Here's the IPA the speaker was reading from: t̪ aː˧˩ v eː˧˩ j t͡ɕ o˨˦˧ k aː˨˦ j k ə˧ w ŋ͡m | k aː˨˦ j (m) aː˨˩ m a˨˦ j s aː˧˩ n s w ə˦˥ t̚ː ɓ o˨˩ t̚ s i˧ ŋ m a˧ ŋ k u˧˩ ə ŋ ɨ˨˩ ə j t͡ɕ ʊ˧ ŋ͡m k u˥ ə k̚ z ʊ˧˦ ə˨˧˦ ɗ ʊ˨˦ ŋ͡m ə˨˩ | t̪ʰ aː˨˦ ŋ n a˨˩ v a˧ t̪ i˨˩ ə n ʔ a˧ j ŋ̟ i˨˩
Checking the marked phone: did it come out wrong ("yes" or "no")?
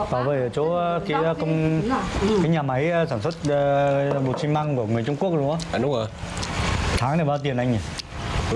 yes